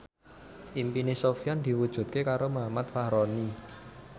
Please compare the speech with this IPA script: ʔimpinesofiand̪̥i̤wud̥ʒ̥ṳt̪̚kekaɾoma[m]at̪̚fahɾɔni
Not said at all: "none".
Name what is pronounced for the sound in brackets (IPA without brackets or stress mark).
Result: m